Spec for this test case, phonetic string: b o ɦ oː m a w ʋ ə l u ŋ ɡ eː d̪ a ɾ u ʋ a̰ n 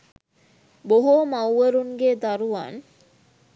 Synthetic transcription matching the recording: b o ɦ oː m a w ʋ ə ɾ u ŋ ɡ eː d̪ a ɾ u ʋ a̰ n